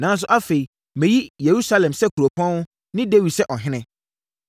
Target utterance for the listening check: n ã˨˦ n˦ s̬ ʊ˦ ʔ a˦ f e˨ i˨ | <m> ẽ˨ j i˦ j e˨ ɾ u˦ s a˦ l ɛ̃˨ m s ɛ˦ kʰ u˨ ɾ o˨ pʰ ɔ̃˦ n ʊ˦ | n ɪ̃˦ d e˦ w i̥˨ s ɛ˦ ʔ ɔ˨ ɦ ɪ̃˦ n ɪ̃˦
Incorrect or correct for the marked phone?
correct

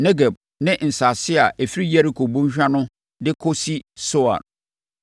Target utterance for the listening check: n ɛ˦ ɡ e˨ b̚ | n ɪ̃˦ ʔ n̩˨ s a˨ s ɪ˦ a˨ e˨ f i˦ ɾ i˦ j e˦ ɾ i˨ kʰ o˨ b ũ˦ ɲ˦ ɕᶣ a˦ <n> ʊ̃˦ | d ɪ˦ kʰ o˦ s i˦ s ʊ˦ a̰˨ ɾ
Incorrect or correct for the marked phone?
correct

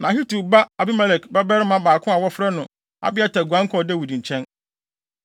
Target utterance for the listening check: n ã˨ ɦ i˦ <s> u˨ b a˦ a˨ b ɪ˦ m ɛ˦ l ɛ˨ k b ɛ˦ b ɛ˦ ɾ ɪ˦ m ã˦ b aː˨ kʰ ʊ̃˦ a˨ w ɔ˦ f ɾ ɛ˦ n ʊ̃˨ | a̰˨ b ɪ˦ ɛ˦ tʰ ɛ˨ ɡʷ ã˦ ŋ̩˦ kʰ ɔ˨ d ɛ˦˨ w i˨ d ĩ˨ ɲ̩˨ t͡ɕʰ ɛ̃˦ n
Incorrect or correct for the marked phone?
incorrect: t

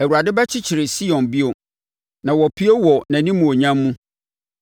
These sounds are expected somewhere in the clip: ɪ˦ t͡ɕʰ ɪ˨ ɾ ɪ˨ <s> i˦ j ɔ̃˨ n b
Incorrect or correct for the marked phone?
correct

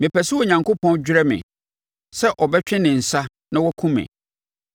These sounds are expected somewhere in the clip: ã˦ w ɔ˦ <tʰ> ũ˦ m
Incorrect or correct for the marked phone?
incorrect: kʰ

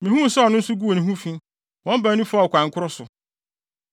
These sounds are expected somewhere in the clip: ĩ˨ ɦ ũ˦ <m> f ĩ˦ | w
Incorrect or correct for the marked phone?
incorrect: none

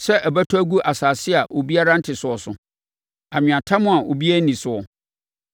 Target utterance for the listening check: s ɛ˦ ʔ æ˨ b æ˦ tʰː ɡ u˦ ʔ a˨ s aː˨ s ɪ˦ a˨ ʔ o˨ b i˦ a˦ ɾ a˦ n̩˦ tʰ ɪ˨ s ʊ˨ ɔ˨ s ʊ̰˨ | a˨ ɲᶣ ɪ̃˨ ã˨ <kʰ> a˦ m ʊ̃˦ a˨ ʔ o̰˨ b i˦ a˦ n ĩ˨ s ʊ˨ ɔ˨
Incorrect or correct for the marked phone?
incorrect: tʰ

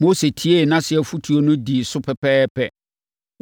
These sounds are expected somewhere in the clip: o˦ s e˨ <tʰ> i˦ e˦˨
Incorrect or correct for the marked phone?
correct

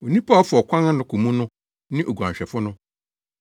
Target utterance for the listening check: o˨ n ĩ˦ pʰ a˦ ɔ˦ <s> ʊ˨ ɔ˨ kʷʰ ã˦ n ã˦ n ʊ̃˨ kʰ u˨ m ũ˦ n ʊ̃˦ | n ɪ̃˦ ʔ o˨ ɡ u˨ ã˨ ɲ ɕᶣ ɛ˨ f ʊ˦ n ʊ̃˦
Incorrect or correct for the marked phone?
incorrect: f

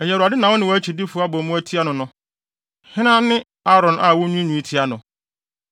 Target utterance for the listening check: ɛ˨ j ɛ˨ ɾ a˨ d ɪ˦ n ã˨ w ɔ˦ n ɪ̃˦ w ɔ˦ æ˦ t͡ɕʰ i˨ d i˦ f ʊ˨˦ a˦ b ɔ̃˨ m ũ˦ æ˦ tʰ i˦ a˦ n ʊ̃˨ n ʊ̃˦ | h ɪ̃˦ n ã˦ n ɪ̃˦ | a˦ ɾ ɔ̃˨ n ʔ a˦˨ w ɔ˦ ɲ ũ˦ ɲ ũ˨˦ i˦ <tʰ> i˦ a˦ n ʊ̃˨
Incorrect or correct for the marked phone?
correct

